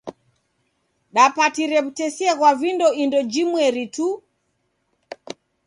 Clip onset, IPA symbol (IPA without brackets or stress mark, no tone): ɗ